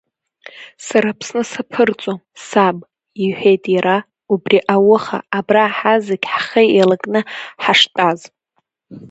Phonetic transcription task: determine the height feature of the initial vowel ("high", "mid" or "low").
low